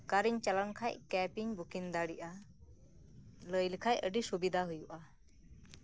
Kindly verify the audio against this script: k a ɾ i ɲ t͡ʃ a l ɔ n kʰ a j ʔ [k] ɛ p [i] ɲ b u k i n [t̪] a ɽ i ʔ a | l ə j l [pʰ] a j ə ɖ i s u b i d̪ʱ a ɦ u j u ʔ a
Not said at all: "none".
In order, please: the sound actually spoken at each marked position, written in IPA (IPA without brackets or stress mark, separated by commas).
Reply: k, i, d̪, kʰ